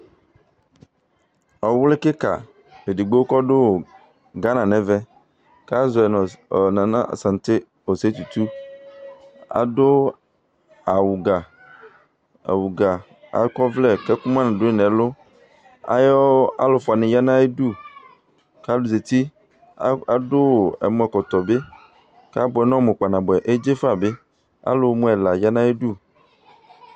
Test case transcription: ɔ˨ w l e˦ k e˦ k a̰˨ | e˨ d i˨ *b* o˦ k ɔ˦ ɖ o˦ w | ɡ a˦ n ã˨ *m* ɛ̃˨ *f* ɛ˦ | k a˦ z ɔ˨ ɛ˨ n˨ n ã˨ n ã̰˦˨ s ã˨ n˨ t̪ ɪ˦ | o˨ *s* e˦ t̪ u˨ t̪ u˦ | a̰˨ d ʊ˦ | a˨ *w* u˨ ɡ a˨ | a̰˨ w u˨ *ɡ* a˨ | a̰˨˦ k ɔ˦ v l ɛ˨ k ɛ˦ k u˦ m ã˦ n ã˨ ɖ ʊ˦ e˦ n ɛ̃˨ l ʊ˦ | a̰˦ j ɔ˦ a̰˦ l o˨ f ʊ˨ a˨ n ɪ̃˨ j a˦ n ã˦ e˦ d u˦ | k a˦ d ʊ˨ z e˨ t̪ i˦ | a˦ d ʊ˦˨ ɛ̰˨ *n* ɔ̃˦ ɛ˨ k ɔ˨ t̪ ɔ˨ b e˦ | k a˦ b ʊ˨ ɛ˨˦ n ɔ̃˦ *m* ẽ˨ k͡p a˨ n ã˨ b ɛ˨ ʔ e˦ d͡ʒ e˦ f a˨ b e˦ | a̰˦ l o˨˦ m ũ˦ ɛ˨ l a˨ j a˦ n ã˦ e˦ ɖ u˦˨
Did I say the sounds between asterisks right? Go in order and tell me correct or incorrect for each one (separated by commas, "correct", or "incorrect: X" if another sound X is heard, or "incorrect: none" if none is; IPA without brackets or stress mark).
incorrect: ɡ͡b, incorrect: n, incorrect: v, correct, correct, correct, incorrect: m, correct